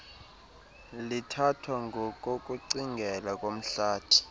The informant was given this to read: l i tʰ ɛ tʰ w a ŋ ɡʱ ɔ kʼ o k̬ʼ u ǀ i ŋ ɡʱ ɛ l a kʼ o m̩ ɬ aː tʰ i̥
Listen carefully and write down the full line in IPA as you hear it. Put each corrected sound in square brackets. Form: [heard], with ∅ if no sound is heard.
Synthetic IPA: l i tʰ [a] tʰ w a ŋ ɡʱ ɔ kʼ o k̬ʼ u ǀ i ŋ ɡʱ ɛ l a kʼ o m̩ ɬ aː tʰ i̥